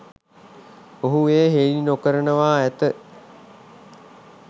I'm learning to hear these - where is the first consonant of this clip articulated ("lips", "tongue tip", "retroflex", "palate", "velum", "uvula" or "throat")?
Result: throat